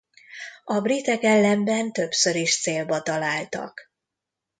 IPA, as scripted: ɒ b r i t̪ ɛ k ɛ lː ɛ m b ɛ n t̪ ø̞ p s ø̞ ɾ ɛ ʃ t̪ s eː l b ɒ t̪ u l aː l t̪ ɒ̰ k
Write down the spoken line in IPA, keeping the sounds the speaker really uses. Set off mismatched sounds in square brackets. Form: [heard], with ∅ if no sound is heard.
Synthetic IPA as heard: ɒ b r i t̪ ɛ k ɛ lː ɛ m b ɛ n t̪ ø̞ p s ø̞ ɾ [i] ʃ t̪ s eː l b ɒ t̪ [ɒ] l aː l t̪ ɒ̰ k